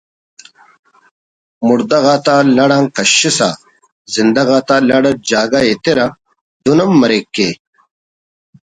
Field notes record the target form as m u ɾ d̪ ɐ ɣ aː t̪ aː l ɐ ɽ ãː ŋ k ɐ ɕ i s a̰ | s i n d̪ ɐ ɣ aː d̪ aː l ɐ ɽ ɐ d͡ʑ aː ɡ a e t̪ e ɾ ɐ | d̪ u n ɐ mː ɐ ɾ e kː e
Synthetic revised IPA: m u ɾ d̪ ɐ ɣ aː t̪ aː l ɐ ɽ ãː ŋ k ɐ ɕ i s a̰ | z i n d̪ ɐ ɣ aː t̪ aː l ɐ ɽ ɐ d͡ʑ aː ɡ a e t̪ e ɾ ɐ | d̪ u n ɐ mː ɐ ɾ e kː e

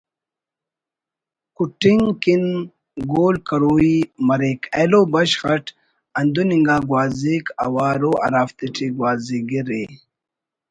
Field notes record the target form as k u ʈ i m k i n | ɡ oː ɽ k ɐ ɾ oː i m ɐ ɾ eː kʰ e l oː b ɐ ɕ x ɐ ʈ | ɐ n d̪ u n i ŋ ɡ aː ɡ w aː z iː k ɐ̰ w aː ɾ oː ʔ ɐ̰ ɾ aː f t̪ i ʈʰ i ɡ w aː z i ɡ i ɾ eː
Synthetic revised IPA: k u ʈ i ŋ k i n | ɡ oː l k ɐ ɾ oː i m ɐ ɾ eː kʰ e l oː b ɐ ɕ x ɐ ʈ | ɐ n d̪ u n i ŋ ɡ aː ɡ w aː z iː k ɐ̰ w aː ɾ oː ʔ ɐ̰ ɾ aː f t̪ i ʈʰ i ɡ w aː z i ɡ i ɾ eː

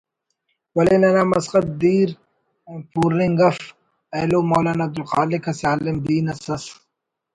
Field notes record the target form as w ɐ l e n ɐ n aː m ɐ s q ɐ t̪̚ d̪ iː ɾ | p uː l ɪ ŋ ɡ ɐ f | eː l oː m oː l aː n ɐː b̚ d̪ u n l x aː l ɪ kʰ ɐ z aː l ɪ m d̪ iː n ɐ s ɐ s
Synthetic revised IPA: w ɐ l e n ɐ n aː m ɐ s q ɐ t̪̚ d̪ iː ɾ | p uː ɾ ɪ ŋ ɡ ɐ f | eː l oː m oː l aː n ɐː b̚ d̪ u l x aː l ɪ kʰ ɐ s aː l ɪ m d̪ iː n ɐ s ɐ s

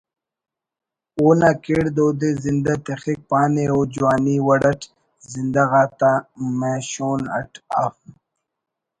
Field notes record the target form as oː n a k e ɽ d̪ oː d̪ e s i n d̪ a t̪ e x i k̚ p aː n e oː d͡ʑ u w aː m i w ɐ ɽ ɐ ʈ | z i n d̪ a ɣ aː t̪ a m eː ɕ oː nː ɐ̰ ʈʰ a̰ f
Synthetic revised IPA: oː n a k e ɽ d̪ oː d̪ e z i n d̪ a t̪ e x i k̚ p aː n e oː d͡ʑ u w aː n i w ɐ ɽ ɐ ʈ | z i n d̪ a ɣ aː t̪ a m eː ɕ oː n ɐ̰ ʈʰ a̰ f

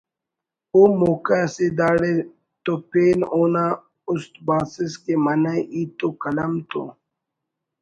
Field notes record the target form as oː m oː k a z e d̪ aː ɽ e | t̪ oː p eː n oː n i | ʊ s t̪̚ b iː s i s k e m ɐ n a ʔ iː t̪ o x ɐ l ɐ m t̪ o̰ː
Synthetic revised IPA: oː m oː k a s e d̪ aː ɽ e | t̪ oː p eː n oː n a | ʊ s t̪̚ b aː s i s k e m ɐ n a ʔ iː t̪ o k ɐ l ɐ m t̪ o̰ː

